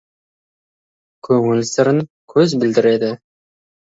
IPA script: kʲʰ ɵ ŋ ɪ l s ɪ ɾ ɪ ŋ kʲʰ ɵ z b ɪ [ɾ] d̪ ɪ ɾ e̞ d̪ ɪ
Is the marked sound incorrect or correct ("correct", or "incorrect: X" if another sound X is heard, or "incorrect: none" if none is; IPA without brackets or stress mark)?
incorrect: l